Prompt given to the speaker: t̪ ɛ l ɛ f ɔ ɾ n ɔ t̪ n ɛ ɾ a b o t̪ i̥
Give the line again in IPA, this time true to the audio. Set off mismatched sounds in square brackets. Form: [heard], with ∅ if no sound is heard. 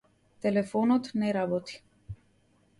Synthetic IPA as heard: t̪ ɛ l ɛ f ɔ [∅] n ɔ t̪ n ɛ ɾ a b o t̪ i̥